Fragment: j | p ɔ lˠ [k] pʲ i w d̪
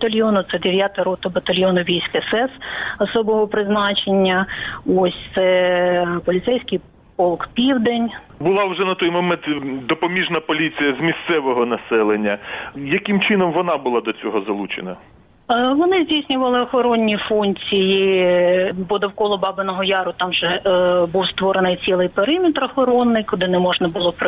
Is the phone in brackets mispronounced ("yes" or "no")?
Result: no